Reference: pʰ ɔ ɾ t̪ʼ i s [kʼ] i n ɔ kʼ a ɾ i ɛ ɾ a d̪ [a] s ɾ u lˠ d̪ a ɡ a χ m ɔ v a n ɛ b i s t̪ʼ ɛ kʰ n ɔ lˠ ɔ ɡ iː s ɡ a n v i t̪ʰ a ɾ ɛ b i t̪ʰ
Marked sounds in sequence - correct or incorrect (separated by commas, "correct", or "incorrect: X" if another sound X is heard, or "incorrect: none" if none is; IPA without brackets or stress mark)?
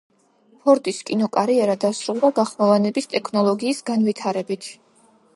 correct, correct